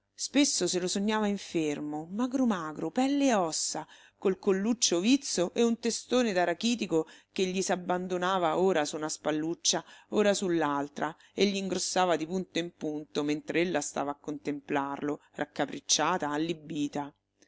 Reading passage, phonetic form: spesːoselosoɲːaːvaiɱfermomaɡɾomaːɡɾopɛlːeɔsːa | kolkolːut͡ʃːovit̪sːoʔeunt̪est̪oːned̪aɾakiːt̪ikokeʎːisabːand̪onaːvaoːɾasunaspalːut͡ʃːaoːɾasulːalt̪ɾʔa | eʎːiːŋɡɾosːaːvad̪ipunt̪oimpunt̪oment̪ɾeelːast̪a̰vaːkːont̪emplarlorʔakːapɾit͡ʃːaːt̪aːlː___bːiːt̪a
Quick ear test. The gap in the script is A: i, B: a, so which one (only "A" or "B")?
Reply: A